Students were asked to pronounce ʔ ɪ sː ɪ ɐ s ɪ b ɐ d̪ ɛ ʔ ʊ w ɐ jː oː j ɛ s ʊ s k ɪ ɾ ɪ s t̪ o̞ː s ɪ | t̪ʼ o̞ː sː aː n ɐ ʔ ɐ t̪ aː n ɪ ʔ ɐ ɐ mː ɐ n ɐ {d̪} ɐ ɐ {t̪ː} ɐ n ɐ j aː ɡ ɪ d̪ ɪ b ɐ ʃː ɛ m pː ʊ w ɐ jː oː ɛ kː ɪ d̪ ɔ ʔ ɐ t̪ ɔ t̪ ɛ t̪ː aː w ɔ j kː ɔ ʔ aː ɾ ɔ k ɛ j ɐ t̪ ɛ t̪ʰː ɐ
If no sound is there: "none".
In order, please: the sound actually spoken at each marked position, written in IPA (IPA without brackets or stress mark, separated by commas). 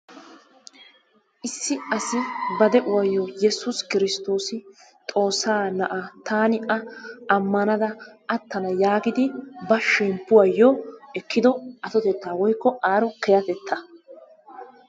d̪, t̪ː